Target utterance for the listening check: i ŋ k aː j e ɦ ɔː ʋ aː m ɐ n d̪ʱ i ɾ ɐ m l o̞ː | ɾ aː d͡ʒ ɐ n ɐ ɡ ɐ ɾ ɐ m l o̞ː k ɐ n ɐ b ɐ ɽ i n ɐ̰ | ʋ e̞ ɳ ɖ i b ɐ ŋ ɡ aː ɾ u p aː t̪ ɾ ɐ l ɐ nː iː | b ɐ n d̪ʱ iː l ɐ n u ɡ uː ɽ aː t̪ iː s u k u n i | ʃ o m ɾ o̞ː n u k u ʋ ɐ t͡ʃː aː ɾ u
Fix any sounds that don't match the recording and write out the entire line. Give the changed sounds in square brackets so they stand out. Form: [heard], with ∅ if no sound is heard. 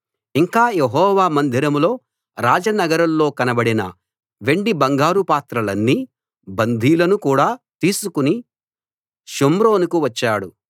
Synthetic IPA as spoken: i ŋ k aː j e ɦ ɔː ʋ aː m ɐ n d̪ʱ i ɾ ɐ m l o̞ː | ɾ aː d͡ʒ ɐ n ɐ ɡ ɐ ɾ ɐ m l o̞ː k ɐ n ɐ b ɐ ɽ i n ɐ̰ | ʋ e̞ ɳ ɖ i b ɐ ŋ ɡ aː ɾ u p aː t̪ ɾ ɐ l ɐ nː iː | b ɐ n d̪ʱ iː l ɐ n u [k] uː ɽ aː t̪ iː s u k u n i | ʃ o m ɾ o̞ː n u k u ʋ ɐ t͡ʃː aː [ɽ] u